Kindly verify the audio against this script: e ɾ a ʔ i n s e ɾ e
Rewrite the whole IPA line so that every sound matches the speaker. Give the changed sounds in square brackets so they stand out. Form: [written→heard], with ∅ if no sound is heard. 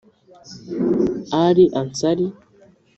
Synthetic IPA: [e→a] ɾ [a→i] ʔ [i→a] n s [e→a] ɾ [e→i]